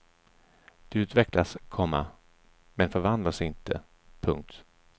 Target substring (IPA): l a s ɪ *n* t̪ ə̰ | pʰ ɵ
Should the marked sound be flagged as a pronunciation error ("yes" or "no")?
no